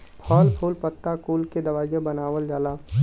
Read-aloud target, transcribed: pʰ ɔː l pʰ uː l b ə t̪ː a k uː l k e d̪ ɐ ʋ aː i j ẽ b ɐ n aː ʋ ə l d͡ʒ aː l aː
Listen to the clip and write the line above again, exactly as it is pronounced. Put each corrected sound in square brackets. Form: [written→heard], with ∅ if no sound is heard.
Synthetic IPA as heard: pʰ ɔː l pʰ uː l [b→p] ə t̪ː a k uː l k e d̪ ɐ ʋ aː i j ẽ b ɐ n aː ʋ ə l d͡ʒ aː l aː

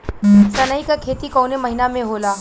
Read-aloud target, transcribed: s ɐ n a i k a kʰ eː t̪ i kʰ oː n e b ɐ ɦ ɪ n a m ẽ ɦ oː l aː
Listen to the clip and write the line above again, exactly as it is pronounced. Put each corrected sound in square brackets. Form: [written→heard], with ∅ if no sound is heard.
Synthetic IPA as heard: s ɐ n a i k a kʰ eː t̪ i [kʰ→k] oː n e [b→m] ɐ ɦ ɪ n a m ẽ ɦ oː l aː

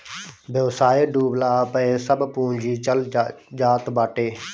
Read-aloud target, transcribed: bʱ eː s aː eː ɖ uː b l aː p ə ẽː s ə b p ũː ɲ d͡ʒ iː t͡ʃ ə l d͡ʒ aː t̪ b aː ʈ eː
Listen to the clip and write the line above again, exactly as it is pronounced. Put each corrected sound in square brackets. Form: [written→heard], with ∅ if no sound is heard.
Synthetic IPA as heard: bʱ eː s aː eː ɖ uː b l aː p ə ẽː s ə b p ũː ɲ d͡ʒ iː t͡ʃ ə l d͡ʒ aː t̪ b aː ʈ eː

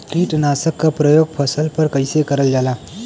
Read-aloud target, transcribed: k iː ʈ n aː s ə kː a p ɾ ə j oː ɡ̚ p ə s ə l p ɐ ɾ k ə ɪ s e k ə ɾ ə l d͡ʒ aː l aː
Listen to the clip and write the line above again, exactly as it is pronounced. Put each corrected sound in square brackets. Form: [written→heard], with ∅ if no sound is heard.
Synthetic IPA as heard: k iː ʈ n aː s ə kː a p ɾ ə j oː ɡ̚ [p→pʰ] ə s ə l p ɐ ɾ k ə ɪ s e k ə ɾ ə l d͡ʒ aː l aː

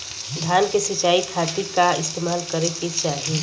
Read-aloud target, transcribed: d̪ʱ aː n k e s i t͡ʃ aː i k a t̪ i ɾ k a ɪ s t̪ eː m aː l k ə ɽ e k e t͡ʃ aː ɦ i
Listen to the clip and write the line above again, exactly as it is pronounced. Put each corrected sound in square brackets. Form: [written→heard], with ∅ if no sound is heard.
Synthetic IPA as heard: d̪ʱ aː n k e s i t͡ʃ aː i [k→kʰ] a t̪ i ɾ k a ɪ s t̪ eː m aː l k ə [ɽ→ɾ] e k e t͡ʃ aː ɦ i

